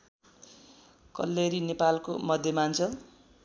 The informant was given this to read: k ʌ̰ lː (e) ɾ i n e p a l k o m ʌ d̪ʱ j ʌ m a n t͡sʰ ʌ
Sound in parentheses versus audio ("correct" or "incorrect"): correct